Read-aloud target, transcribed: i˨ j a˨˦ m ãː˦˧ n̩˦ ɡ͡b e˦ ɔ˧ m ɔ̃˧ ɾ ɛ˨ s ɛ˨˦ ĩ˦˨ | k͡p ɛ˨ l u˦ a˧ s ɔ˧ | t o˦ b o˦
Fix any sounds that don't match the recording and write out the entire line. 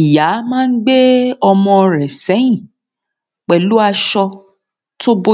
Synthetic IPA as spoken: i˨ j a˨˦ m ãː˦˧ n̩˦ ɡ͡b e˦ ɔ˧ m ɔ̃˧ ɾ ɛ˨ s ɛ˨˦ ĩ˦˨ | k͡p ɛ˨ l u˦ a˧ ʃ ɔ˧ | t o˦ b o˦

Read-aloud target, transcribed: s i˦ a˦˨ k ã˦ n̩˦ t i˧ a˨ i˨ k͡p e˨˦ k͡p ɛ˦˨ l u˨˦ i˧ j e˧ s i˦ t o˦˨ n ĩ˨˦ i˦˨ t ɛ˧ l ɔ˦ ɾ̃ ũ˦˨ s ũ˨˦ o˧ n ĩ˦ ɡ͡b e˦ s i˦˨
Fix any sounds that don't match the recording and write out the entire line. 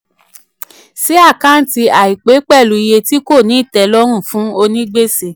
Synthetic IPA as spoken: s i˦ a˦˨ k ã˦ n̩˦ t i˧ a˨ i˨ k͡p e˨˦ k͡p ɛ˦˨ l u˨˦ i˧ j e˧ t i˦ k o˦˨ n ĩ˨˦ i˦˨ t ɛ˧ l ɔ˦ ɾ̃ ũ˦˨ f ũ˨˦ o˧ n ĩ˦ ɡ͡b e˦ s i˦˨

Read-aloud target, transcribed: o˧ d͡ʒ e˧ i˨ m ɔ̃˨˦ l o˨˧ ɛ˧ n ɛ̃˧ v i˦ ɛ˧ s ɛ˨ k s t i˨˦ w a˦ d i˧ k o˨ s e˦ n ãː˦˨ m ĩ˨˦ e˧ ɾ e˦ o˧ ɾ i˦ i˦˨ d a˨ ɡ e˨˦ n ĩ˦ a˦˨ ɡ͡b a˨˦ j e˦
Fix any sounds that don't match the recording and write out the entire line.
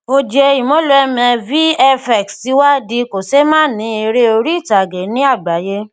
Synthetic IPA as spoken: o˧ d͡ʒ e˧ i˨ m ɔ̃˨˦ l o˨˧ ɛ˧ m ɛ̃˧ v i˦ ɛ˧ f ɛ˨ k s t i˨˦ w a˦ d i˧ k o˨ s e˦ m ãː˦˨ n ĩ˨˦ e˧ ɾ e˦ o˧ ɾ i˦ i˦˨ t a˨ ɡ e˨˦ n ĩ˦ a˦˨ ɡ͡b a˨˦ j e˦

